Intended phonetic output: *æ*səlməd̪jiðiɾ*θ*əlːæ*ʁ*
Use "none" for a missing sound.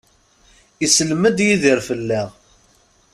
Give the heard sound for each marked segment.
i, f, ʁ

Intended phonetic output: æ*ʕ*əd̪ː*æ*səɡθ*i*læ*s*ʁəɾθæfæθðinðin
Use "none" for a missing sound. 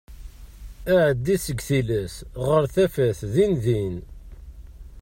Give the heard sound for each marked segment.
ʕ, i, i, s

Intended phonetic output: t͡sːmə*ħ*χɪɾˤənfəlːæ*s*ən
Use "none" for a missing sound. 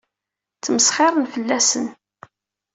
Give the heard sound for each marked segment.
s, s

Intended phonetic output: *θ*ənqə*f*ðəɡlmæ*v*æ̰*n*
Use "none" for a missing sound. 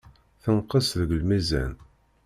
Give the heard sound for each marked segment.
θ, s, z, n

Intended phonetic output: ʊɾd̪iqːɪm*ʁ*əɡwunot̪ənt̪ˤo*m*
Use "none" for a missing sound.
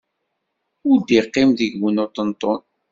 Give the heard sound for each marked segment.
ð, n

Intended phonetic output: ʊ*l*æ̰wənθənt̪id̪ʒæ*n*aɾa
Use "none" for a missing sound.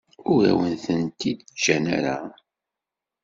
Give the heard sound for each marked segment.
ɾ, n

